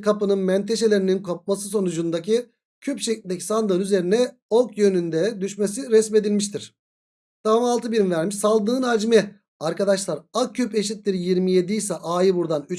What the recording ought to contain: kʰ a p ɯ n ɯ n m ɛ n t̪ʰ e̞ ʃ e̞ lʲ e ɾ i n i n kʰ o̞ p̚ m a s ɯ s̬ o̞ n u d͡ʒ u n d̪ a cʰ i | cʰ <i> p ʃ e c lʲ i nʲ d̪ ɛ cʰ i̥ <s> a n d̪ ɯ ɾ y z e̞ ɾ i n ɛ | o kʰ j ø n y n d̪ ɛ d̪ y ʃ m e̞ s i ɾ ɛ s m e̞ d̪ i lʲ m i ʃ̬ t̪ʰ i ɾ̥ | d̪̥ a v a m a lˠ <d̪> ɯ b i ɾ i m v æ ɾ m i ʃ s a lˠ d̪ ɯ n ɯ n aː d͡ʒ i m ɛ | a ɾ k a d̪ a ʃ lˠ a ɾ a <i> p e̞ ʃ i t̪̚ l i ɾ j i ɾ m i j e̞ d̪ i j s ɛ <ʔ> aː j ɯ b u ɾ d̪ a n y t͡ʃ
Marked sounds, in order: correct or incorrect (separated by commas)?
incorrect, correct, incorrect, incorrect, correct